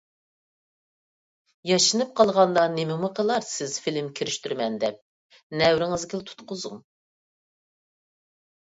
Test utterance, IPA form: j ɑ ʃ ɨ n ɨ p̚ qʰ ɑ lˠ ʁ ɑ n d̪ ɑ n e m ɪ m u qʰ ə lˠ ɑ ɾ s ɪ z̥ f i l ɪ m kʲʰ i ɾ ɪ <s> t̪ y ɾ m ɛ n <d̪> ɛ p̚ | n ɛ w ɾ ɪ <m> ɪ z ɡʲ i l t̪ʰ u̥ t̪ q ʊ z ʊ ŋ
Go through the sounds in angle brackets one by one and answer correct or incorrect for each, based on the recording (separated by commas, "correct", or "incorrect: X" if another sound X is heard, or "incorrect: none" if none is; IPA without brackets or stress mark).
incorrect: ʃ, correct, incorrect: ŋ